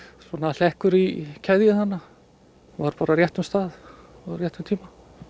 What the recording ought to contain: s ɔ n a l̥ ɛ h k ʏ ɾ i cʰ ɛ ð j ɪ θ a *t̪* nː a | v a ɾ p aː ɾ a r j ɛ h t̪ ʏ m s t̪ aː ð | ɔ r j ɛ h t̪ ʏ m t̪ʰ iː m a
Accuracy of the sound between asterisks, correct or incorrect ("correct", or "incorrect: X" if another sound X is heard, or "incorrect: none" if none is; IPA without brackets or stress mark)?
incorrect: none